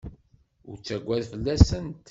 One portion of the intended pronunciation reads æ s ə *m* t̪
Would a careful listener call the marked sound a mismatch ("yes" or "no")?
yes